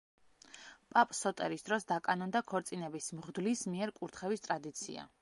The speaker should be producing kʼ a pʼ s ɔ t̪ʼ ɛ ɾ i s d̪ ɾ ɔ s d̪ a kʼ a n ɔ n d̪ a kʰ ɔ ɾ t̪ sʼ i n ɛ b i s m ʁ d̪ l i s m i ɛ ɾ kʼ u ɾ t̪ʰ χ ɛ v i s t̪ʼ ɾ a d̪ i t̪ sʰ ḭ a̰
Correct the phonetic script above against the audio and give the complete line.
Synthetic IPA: pʼ a pʼ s ɔ t̪ʼ ɛ ɾ i s d̪ ɾ ɔ s d̪ a kʼ a n ɔ n d̪ a kʰ ɔ ɾ t̪ sʼ i n ɛ b i s m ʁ d̪ l i s m i ɛ ɾ kʼ u ɾ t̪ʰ χ ɛ v i s t̪ʼ ɾ a d̪ i t̪ sʰ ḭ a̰